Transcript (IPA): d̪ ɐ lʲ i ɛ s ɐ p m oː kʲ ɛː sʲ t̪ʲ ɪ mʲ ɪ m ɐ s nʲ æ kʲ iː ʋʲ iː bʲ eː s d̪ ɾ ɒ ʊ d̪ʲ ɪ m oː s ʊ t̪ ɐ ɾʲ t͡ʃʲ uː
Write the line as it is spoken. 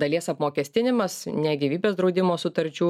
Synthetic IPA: d̪ ɐ lʲ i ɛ s ɐ p m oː kʲ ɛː sʲ t̪ʲ ɪ nʲ ɪ m ɐ s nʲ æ ɡʲ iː ʋʲ iː bʲ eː s d̪ ɾ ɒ ʊ d̪ʲ ɪ m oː s ʊ t̪ ɐ ɾʲ t͡ʃʲ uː